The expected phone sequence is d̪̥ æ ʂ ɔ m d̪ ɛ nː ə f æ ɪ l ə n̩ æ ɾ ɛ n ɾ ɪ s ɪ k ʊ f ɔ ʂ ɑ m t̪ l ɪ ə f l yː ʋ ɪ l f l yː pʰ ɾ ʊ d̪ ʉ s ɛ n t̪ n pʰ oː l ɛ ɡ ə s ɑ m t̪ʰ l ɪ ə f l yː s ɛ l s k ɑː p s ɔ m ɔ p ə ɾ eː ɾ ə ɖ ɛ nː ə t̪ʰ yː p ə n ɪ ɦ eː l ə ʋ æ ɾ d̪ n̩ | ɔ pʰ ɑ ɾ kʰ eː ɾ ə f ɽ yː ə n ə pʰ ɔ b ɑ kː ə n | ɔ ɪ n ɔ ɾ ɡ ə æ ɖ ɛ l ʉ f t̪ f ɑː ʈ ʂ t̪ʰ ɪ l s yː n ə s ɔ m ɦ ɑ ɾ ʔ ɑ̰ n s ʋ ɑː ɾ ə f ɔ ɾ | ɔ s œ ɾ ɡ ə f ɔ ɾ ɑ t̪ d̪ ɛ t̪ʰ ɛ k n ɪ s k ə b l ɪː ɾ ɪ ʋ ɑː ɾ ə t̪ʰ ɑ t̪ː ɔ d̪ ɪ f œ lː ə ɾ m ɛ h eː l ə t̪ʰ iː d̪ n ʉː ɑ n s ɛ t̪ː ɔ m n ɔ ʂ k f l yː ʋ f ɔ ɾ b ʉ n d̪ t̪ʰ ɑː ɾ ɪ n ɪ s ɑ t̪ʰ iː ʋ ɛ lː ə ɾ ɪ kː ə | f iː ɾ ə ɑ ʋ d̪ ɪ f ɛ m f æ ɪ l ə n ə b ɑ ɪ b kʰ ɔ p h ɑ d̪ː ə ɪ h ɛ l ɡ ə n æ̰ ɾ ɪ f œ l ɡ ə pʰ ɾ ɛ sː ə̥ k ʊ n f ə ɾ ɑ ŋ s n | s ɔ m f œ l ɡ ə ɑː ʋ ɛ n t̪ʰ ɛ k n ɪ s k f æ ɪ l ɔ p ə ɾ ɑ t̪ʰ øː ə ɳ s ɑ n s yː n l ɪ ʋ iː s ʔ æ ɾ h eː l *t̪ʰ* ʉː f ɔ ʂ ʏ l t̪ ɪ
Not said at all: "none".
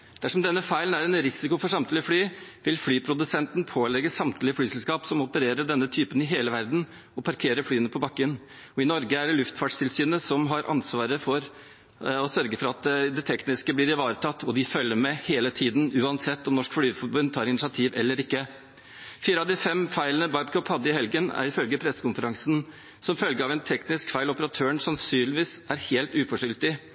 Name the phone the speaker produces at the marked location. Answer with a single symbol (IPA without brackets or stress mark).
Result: t̪